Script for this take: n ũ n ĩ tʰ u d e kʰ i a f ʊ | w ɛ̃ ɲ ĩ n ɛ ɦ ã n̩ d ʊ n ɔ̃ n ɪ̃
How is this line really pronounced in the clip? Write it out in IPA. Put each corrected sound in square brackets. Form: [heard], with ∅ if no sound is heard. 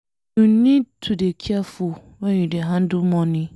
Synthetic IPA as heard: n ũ n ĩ tʰ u d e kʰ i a f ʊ | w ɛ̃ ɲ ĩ [d] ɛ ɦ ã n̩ d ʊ [m] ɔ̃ n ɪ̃